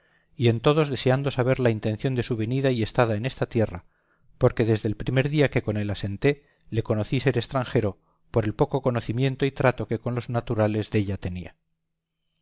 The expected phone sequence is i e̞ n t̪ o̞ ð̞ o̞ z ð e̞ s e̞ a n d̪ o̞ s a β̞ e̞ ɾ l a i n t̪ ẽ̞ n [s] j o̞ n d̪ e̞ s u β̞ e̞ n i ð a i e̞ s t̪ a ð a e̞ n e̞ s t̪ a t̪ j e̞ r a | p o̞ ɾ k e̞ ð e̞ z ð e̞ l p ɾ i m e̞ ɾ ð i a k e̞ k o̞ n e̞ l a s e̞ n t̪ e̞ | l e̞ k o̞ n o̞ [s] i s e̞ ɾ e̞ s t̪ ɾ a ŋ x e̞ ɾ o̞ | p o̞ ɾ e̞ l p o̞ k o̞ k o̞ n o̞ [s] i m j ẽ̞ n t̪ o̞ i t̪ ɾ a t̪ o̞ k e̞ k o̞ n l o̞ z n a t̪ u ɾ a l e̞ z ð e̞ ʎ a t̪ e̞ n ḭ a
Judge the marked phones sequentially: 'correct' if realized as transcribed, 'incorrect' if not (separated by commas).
incorrect, incorrect, incorrect